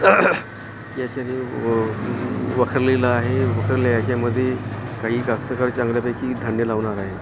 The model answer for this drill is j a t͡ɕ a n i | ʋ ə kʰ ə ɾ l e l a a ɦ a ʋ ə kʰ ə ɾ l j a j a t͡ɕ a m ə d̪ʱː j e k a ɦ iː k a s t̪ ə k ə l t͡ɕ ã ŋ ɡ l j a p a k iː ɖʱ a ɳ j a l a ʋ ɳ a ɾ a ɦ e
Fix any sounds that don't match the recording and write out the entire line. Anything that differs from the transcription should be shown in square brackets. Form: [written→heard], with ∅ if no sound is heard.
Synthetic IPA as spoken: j a t͡ɕ a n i | ʋ ə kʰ ə ɾ l e l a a ɦ [a→e] ʋ ə kʰ ə ɾ l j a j a t͡ɕ a m ə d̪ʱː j e k a ɦ iː k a s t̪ ə k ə [l→ɾ] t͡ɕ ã ŋ ɡ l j a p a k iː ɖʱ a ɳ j [a→ə] l a ʋ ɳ a ɾ a ɦ e